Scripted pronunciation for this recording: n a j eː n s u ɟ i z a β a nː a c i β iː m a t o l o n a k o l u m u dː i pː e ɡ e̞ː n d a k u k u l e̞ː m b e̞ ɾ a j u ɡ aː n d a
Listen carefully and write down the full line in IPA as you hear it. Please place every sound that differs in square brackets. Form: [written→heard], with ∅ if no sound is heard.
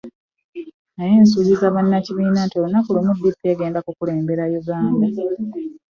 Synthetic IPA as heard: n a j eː n s u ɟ i z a β a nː a c i β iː [m→n] a t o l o n a k [o→u] l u m u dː i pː e ɡ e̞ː n d a k u k u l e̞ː m b e̞ ɾ a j u ɡ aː n d a